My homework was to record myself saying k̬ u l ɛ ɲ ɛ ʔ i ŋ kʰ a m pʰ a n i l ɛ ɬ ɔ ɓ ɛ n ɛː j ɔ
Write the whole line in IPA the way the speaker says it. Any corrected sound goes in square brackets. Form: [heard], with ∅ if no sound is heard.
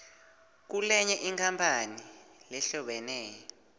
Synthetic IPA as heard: k̬ u l ɛ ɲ ɛ ʔ i ŋ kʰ a m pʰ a n i l ɛ ɬ ɔ ɓ ɛ n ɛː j ɔ